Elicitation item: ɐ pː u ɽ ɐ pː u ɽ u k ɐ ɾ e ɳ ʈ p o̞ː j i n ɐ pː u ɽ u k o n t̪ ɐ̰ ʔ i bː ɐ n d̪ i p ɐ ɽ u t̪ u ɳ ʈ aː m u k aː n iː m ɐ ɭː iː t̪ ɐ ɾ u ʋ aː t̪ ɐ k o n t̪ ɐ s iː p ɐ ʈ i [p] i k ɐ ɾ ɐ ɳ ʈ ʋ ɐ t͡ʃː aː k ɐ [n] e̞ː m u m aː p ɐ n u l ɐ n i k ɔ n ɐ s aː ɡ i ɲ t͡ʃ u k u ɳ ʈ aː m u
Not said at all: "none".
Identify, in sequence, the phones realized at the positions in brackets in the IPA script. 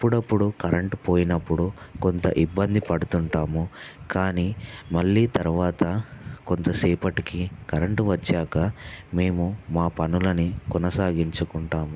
k, m

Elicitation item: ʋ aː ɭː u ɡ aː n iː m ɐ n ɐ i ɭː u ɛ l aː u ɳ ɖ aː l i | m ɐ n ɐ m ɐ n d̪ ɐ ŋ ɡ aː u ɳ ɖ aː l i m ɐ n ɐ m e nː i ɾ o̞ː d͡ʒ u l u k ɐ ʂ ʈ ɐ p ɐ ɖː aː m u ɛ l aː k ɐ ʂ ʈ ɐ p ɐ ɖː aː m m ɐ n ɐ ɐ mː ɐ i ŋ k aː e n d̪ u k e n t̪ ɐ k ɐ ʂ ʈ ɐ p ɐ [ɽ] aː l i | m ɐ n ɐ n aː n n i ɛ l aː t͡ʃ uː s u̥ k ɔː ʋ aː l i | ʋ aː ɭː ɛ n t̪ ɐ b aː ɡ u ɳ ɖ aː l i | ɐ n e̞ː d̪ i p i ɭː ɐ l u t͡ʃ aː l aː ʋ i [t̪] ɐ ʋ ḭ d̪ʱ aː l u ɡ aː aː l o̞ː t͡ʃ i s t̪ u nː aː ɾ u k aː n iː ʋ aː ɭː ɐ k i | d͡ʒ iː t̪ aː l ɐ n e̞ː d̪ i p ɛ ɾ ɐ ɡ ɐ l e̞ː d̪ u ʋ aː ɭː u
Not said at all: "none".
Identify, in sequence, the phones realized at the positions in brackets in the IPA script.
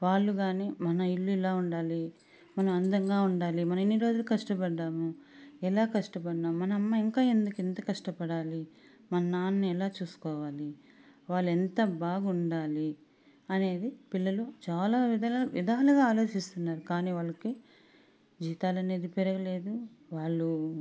ɽ, d̪

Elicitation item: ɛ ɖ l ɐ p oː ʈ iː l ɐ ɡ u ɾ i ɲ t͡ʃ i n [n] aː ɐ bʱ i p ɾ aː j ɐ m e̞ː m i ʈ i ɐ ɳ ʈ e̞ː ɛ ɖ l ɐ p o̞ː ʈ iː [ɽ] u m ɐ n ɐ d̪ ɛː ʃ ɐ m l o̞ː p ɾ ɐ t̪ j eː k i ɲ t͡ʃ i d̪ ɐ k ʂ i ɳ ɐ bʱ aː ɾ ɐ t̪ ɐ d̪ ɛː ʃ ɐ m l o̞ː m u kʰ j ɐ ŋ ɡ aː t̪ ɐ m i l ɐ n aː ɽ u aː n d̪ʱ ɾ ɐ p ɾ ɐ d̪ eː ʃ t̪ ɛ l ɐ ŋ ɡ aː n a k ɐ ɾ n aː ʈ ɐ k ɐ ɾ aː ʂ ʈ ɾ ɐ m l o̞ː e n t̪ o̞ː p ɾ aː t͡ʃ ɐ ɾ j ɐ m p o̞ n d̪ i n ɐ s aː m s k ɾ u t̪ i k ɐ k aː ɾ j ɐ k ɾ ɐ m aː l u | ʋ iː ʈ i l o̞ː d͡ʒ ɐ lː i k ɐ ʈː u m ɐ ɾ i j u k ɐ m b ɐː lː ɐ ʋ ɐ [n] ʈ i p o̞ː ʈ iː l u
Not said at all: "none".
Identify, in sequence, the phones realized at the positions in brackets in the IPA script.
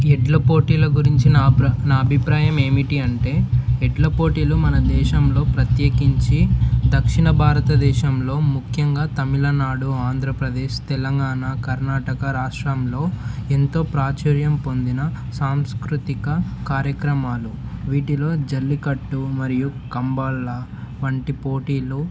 n, l, ɳ

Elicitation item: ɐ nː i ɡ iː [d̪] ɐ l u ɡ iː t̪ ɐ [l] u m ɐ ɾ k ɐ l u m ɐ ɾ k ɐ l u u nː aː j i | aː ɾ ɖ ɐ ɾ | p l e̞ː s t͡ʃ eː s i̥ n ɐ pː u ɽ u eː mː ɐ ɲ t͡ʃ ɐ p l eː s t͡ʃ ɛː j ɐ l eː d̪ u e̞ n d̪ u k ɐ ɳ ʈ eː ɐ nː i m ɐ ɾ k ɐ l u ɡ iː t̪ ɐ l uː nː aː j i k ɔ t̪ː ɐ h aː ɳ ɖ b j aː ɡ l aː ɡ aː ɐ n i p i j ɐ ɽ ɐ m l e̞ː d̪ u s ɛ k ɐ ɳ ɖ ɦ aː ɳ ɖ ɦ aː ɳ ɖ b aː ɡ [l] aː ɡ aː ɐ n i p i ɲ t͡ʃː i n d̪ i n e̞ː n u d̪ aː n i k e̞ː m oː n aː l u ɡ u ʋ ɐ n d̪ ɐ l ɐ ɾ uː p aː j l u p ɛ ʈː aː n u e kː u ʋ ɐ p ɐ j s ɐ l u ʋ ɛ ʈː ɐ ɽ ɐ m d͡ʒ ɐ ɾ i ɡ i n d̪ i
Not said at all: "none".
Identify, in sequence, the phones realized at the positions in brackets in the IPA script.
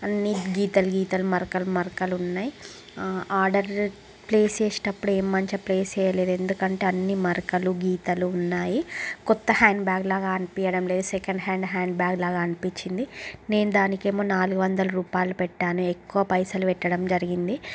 t̪, l, l

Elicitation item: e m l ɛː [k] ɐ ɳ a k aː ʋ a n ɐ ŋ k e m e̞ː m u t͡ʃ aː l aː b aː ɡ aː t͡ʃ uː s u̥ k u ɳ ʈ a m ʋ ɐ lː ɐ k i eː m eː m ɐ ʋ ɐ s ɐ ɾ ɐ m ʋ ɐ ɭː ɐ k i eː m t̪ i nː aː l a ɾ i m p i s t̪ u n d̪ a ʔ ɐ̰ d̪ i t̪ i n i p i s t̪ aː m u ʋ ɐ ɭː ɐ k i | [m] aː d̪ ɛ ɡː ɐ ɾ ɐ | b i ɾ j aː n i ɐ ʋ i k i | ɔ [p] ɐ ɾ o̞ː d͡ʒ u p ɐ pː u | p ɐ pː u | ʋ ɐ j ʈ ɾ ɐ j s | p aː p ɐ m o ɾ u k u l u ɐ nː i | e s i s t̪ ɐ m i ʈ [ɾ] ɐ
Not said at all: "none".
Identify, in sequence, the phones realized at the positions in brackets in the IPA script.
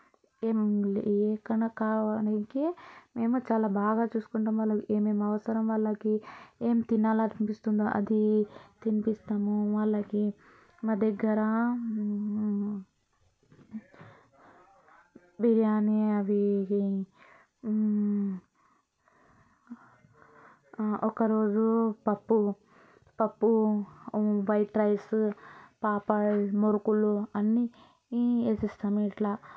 k, m, k, l

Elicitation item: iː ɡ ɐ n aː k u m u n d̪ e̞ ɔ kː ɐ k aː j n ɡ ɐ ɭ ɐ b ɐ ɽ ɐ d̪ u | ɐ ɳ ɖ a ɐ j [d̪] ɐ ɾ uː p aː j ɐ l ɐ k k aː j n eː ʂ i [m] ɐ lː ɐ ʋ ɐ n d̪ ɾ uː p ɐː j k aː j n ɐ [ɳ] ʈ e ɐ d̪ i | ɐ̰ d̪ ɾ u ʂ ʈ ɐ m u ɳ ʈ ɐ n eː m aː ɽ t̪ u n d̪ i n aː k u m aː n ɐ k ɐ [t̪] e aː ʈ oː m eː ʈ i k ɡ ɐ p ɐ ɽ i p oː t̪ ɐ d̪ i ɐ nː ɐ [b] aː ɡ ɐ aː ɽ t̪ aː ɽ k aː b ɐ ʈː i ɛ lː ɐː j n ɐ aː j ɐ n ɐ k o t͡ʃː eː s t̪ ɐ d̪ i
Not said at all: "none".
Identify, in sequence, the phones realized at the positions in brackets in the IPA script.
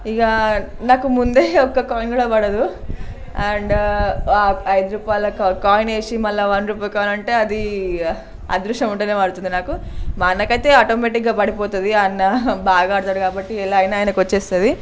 d̪, m, ɳ, t̪, b

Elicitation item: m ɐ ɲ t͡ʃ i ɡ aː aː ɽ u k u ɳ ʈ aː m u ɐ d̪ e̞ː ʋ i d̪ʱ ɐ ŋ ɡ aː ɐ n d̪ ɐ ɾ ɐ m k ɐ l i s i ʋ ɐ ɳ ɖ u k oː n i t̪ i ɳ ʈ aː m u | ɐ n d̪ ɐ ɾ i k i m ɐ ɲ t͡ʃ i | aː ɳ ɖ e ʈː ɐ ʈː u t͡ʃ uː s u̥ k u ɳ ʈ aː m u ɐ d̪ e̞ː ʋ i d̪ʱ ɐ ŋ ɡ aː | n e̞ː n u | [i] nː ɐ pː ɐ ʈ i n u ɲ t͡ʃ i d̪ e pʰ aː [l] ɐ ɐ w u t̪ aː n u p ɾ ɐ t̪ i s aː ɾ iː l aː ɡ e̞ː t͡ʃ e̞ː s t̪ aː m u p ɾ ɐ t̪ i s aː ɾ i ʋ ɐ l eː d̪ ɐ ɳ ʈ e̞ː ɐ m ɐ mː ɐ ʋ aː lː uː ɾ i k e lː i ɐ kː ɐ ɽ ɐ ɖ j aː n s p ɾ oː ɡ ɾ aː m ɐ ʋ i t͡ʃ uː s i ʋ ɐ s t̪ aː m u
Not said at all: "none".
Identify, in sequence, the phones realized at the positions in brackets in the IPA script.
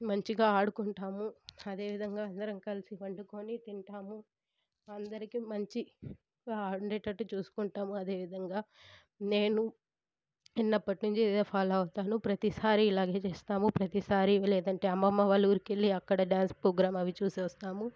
i, l

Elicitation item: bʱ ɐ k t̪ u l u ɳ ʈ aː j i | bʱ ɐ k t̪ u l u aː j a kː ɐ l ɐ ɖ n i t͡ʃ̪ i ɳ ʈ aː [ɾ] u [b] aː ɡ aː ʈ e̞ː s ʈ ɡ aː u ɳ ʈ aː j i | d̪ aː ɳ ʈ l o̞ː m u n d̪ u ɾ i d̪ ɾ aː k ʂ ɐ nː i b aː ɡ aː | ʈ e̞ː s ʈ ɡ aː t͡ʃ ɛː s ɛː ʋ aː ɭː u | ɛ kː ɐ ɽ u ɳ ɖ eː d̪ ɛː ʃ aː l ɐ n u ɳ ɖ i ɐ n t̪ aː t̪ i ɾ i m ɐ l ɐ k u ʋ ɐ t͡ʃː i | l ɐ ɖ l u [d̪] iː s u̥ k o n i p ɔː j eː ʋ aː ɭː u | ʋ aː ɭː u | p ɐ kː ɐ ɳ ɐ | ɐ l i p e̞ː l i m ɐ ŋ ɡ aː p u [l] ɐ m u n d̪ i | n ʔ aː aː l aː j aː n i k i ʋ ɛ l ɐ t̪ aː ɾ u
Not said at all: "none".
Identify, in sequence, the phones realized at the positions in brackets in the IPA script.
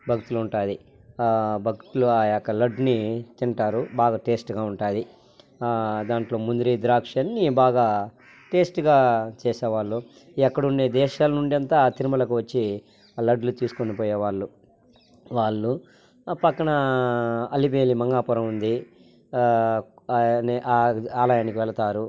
ɾ, b, t̪, ɾ

